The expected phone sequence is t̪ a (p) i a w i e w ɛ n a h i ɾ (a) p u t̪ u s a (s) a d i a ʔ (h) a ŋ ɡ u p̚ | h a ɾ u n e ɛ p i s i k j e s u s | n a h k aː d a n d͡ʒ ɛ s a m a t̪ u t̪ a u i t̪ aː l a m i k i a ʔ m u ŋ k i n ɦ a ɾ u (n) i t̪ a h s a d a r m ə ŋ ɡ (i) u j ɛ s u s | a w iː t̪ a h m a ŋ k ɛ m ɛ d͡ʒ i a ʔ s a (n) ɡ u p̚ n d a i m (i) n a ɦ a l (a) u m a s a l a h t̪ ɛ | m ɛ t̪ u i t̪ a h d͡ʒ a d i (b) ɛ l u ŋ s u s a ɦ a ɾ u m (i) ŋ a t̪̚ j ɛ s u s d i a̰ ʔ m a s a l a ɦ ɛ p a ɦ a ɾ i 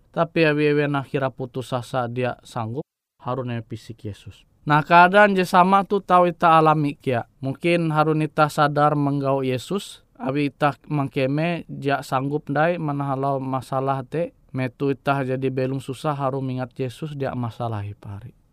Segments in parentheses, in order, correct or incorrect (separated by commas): correct, correct, correct, incorrect, correct, incorrect, incorrect, incorrect, correct, correct, correct